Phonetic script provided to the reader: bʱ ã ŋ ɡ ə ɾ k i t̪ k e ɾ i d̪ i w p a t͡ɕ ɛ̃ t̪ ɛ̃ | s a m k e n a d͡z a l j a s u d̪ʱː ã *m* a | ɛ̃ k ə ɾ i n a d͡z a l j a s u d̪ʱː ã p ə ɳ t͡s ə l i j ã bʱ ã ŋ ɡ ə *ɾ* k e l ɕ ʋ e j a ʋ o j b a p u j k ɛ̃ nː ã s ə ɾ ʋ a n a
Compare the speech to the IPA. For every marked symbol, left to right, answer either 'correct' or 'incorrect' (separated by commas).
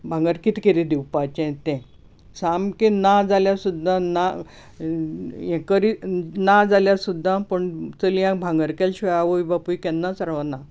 incorrect, correct